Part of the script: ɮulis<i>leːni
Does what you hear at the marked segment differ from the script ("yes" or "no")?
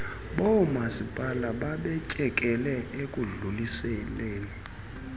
yes